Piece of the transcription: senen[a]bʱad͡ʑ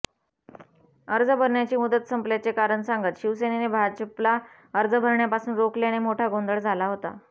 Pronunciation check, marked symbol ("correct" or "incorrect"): incorrect